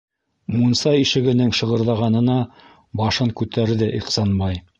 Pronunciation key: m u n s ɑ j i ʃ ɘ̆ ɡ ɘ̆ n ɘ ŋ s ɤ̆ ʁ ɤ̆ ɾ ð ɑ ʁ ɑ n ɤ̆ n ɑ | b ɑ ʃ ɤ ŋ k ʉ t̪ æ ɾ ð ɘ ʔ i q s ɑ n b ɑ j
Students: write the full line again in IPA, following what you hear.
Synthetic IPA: m u n s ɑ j i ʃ ɘ̆ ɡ ɘ̆ n ɘ ŋ ʃ ɤ̆ ʁ ɤ̆ ɾ ð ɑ ʁ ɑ n ɤ̆ n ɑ | b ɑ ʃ ɤ ŋ k ʉ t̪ æ ɾ ð ɘ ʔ i q s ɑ n b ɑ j